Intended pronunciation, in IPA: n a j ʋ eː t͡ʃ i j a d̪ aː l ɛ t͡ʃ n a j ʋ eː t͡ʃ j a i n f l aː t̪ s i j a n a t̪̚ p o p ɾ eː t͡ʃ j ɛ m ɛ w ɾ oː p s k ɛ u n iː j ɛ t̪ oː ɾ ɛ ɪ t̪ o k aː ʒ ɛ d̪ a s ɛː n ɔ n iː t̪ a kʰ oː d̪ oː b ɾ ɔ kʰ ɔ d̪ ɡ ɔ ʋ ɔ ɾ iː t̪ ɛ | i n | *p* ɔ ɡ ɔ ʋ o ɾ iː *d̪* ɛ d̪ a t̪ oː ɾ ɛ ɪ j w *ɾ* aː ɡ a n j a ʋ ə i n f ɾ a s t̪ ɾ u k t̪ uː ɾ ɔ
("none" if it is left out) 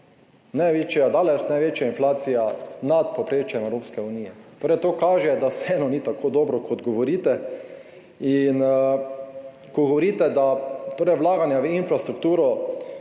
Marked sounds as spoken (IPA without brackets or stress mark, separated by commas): k, t̪, l